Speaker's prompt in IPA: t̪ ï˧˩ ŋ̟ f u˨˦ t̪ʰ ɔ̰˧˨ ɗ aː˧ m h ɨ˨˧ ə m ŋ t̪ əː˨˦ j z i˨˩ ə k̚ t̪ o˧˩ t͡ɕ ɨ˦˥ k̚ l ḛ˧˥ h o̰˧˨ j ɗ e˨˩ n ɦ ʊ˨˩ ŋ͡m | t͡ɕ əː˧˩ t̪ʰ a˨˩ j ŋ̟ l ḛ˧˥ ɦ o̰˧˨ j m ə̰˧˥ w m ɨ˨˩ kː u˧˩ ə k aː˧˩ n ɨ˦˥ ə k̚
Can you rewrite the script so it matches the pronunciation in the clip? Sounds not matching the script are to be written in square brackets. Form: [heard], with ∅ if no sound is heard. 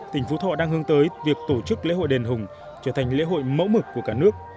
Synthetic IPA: t̪ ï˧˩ ŋ̟ f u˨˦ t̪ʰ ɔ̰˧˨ ɗ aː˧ [ŋ] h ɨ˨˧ ə [∅] ŋ t̪ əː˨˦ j [v] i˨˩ ə k̚ t̪ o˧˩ t͡ɕ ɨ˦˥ k̚ l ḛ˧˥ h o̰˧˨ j ɗ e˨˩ n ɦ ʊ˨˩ ŋ͡m | t͡ɕ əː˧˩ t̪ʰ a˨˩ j ŋ̟ l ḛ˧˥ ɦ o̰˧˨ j m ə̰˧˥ w m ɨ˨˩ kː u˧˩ ə k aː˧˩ n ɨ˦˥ ə k̚